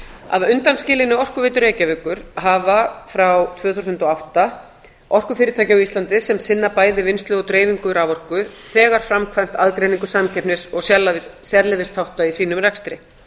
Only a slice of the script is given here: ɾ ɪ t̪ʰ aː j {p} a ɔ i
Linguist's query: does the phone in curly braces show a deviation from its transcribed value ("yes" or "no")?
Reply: yes